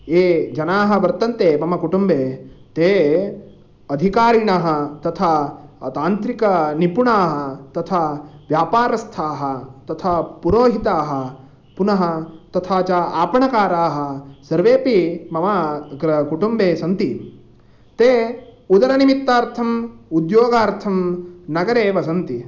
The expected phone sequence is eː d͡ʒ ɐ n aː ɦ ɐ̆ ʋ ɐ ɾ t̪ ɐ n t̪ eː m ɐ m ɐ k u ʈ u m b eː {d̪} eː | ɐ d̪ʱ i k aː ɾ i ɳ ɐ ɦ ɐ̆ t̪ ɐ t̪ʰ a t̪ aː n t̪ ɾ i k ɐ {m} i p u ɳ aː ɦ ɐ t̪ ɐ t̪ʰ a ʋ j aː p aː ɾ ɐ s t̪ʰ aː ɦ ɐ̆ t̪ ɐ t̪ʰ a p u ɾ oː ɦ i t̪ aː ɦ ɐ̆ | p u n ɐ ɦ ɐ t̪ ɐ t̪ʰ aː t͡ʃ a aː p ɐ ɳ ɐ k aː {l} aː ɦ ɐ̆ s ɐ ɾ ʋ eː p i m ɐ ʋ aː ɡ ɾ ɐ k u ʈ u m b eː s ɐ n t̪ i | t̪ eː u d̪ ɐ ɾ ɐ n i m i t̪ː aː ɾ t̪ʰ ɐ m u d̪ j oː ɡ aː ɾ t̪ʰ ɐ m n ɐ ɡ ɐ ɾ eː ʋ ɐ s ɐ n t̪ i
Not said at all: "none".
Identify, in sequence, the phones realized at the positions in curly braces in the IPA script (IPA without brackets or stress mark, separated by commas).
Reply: t̪, n, ɾ